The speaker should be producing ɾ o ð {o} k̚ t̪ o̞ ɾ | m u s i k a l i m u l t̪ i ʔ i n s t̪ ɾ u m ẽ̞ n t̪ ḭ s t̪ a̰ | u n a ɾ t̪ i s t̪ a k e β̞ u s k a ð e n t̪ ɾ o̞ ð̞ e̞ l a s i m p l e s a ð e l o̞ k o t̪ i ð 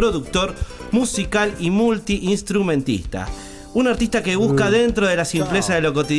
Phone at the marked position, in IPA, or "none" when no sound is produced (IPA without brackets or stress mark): u